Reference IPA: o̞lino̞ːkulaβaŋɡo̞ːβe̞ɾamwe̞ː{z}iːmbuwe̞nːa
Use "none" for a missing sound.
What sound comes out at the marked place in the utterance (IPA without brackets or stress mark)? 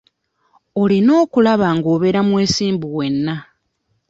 s